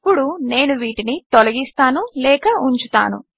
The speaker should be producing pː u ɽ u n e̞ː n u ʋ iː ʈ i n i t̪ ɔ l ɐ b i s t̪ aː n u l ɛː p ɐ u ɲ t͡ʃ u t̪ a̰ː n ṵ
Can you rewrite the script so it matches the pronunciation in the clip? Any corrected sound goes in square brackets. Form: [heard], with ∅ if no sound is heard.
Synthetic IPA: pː u ɽ u n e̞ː n u ʋ iː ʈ i n i t̪ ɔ l ɐ [ɡ] i s t̪ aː n u l ɛː [k] ɐ u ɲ t͡ʃ u t̪ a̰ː n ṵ